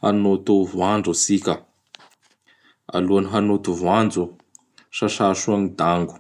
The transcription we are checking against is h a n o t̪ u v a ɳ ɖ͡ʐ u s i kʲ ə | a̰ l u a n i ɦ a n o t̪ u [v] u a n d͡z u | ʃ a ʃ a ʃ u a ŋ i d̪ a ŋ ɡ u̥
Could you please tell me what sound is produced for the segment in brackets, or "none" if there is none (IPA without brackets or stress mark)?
v